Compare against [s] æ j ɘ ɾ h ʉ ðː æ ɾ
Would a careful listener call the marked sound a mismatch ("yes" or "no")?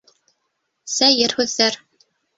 no